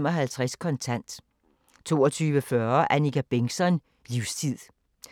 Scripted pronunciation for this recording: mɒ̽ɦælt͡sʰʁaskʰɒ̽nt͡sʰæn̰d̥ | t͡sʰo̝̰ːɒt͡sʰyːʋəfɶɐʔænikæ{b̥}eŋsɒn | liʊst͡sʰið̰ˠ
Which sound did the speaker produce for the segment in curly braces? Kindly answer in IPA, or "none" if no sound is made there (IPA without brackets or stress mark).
b̥